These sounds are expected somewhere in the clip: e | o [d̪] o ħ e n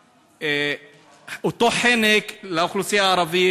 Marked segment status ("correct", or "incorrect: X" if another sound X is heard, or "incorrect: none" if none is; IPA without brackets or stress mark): incorrect: t̪